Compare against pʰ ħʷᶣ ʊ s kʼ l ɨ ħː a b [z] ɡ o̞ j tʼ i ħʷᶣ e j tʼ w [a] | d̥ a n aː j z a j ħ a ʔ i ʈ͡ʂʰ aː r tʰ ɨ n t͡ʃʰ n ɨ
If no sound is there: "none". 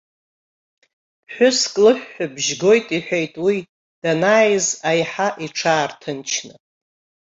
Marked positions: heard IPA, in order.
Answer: ʒ, i

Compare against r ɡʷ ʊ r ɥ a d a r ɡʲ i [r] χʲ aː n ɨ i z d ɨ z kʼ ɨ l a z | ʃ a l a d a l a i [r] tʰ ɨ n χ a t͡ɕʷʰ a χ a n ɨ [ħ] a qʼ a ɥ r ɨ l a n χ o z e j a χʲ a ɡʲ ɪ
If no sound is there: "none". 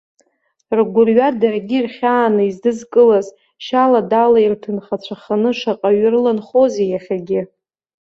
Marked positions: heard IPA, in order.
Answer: r, r, ʂ

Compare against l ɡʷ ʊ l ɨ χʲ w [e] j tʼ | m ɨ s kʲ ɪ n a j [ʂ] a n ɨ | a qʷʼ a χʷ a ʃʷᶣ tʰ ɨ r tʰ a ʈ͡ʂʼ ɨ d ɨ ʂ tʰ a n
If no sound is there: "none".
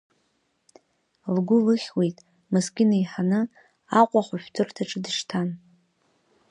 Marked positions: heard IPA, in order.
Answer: e, ħ

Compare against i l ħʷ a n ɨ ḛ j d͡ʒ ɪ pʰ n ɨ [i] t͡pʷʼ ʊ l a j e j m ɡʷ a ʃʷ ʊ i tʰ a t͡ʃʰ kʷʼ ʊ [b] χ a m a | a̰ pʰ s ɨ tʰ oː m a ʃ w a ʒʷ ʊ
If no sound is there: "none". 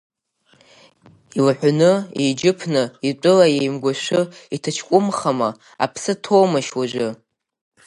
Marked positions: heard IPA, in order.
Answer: i, m

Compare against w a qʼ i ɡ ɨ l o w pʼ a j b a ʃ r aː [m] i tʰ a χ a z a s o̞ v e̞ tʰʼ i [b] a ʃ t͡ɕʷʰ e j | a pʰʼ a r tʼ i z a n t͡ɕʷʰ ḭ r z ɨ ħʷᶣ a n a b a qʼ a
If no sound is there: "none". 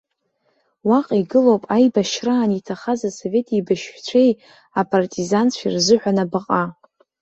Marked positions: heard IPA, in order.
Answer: n, b

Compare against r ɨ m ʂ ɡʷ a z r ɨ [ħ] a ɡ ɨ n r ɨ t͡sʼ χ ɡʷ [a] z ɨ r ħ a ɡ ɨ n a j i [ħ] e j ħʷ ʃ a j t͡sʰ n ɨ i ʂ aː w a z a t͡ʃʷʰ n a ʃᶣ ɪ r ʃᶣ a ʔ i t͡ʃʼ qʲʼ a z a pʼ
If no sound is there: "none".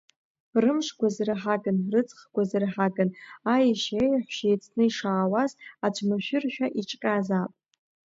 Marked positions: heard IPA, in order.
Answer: ħ, a, ʃ

